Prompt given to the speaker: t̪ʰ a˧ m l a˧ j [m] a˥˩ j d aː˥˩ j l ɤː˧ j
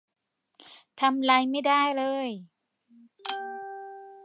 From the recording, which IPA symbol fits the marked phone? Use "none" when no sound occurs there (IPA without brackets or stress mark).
m